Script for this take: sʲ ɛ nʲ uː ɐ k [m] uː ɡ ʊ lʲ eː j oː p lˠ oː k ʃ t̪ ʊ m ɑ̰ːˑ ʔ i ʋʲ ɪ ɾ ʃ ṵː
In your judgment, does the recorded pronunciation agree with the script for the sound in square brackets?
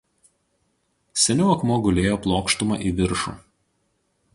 yes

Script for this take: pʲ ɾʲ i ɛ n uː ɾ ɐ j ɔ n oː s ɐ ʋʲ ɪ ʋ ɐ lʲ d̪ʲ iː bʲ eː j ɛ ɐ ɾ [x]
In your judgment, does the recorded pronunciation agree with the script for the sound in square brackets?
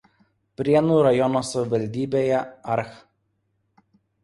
yes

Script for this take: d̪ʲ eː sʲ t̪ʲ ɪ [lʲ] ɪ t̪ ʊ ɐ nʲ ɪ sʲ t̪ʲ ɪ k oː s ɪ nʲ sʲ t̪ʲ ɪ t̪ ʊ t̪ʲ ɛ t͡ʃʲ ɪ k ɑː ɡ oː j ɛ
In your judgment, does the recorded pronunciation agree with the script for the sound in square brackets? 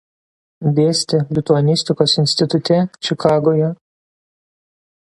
yes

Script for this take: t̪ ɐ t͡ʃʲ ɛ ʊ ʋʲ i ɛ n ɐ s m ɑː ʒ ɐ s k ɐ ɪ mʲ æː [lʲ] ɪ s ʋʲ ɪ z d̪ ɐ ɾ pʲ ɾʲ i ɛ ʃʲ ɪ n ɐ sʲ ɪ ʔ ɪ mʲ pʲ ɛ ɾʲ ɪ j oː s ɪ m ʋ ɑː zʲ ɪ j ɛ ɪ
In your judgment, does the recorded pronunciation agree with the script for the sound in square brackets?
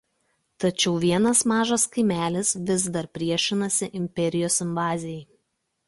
yes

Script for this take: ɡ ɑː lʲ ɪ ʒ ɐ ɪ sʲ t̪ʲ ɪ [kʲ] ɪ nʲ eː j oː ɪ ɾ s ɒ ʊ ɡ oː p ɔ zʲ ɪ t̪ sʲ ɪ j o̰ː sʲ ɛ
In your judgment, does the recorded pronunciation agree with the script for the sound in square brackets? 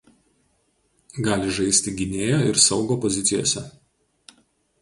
no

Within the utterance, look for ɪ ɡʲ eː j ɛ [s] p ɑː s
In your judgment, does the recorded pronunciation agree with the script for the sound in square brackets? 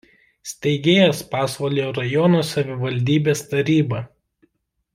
yes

